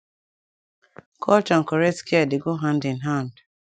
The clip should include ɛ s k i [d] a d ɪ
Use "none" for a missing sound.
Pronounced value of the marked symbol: none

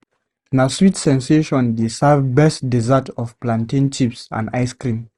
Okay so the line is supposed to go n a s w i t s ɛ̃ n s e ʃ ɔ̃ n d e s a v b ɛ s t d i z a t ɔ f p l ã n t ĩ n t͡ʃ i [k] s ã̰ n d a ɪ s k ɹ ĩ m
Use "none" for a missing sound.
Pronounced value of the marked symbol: p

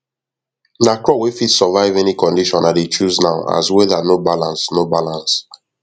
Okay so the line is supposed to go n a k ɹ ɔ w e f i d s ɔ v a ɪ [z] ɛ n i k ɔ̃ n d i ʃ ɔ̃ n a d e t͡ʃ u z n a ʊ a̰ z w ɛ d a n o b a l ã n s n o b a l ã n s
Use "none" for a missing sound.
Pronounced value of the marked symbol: v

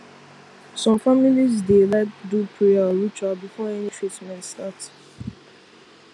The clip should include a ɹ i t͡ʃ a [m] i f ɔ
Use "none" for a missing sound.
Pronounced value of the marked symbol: b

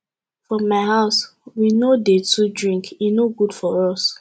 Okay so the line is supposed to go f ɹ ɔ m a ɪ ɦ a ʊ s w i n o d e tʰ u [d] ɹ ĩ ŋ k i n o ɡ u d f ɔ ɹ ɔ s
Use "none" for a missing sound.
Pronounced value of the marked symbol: d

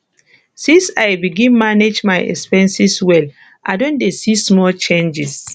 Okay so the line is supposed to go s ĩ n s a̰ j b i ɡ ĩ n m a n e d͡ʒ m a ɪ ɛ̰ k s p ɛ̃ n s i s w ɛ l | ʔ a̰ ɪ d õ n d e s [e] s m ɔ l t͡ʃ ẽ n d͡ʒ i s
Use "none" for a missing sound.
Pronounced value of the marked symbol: i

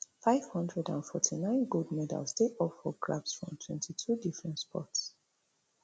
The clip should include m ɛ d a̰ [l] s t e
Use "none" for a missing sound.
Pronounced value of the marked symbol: l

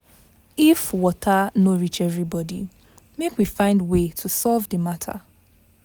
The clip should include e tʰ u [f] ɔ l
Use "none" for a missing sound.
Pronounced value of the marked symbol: s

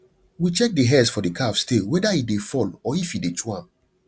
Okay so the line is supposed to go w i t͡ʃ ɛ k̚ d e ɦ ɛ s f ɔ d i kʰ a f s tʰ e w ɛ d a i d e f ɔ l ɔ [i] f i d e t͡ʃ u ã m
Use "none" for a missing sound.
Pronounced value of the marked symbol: i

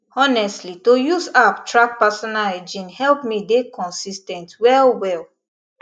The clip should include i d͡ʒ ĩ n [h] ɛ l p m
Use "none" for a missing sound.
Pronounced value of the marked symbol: h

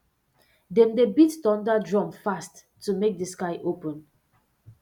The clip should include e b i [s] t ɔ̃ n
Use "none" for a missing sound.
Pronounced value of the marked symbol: t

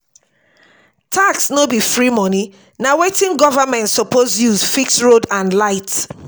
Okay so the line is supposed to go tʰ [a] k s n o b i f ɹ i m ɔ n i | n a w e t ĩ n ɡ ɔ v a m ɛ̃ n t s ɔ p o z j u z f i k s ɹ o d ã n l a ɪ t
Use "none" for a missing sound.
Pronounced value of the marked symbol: a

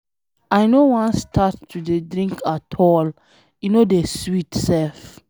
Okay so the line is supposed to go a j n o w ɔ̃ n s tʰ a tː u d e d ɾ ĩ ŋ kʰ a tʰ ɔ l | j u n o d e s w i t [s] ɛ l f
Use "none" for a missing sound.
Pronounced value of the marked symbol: s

